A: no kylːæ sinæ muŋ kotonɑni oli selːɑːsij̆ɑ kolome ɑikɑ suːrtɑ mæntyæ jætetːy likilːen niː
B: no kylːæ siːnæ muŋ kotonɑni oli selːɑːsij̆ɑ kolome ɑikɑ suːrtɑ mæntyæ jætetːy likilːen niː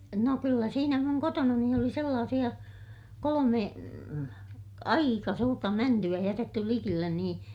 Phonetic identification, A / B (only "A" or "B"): B